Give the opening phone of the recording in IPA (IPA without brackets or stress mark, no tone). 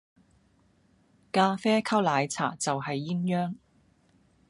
k